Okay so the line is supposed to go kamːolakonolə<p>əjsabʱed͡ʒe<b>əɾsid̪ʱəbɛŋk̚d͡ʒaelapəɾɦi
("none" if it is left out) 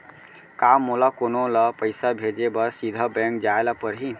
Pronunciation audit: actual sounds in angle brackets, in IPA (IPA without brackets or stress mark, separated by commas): p, b